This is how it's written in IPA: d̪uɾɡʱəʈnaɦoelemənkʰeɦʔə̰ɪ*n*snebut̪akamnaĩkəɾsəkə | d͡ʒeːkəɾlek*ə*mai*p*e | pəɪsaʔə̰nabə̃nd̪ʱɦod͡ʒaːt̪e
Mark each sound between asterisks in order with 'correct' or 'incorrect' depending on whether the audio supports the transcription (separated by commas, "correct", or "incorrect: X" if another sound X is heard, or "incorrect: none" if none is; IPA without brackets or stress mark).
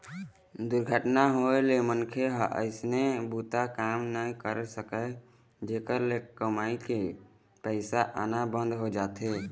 incorrect: none, correct, incorrect: k